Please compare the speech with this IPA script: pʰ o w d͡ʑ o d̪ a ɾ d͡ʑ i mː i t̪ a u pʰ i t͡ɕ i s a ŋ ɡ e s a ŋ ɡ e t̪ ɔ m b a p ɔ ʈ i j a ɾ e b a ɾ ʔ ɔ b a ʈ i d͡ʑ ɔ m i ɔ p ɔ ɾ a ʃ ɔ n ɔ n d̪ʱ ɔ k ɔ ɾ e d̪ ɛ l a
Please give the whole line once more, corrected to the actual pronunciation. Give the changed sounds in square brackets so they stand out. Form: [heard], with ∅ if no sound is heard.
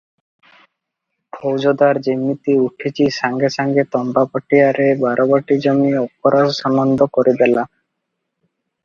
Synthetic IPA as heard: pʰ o w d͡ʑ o d̪ a ɾ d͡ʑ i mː i t̪ [i] u [ʈʰ] i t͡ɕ i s a ŋ ɡ e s a ŋ ɡ e t̪ ɔ m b a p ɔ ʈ i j a ɾ e b a ɾ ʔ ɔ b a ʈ i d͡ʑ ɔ m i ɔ p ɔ ɾ a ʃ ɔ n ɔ n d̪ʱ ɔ k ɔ ɾ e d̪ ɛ l a